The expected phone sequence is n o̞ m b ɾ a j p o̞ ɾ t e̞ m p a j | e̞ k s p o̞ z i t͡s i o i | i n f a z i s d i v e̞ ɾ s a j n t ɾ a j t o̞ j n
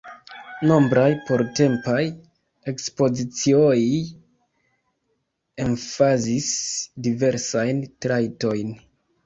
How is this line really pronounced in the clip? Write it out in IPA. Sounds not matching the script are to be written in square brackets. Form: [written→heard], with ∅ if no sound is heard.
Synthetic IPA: n o̞ m b ɾ a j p o̞ ɾ t e̞ m p a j | e̞ k s p o̞ z i t͡s i o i | [i→e] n f a z i s d i v e̞ ɾ s a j n t ɾ a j t o̞ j n